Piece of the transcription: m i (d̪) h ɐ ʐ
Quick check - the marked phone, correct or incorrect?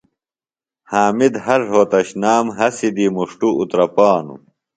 correct